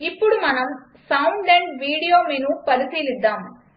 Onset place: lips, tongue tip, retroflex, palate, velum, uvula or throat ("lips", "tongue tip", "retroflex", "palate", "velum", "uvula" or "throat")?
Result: lips